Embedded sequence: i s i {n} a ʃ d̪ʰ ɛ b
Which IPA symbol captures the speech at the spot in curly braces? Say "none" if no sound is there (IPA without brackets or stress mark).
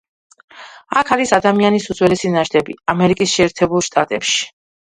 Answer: n